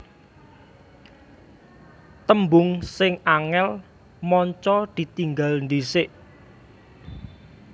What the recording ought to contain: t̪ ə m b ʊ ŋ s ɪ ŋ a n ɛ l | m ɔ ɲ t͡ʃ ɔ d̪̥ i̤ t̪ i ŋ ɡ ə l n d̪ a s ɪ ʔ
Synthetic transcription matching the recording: t̪ ə m b ʊ ŋ s ɪ ŋ a ŋ ɛ l | m ɔ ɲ t͡ʃ ɔ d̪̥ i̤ t̪ i ŋ ɡ a l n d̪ i s ɪ ʔ